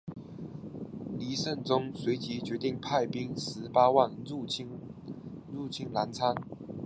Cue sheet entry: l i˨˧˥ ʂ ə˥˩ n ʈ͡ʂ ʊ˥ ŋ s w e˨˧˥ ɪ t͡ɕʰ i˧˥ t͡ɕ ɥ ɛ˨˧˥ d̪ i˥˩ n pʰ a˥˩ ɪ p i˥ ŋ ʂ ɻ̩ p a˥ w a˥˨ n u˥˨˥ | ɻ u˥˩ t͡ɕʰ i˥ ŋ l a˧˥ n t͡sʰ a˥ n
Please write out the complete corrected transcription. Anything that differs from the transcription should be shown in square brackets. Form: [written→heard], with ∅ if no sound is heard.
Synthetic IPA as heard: l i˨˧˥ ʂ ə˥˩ n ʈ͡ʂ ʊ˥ ŋ s w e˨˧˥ ɪ [t͡ɕʰ→t͡ɕ] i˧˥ t͡ɕ ɥ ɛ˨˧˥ [d̪→t̪] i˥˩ [n→ŋ] pʰ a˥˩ ɪ p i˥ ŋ ʂ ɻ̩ p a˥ w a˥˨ n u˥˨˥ | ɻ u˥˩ t͡ɕʰ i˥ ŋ l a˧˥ n t͡sʰ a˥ n